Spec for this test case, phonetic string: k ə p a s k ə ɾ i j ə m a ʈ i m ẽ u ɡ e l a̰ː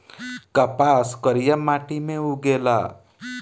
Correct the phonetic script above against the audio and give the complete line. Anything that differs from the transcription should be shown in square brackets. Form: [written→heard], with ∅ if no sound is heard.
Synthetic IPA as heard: k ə p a s k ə ɾ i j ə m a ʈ i m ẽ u ɡ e l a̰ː